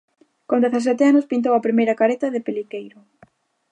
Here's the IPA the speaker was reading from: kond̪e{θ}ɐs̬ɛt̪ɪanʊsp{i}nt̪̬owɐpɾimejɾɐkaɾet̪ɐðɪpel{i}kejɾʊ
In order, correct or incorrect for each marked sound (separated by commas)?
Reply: correct, correct, correct